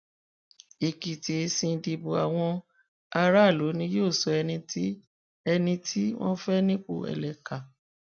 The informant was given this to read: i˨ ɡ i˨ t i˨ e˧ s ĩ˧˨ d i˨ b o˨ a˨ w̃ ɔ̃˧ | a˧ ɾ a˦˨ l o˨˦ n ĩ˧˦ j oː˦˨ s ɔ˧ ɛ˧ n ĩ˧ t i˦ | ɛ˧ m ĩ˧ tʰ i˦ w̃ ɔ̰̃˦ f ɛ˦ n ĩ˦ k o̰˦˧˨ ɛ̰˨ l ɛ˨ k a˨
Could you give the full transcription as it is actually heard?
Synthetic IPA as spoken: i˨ k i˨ t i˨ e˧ s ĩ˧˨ d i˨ b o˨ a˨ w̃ ɔ̃˧ | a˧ ɾ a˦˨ l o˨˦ n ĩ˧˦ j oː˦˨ s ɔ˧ ɛ˧ n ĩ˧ t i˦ | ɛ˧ n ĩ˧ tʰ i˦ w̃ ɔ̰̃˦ f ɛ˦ n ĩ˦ k͡p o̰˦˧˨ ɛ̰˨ l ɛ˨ k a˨